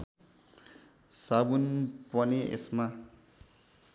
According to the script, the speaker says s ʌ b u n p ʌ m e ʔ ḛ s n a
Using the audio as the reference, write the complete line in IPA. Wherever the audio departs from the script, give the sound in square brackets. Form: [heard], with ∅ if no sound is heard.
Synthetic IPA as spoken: s [a] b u n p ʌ [n] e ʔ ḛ s [m] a